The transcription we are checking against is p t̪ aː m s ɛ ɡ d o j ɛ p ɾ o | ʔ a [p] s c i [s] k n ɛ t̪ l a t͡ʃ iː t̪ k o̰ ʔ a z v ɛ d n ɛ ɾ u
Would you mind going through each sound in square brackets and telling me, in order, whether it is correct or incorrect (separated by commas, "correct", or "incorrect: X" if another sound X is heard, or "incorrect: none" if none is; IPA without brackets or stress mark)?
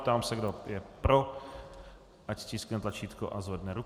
incorrect: c, correct